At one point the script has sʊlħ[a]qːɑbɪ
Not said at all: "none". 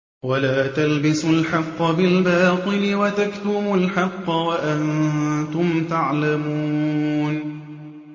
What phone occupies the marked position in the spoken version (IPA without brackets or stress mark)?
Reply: ɑ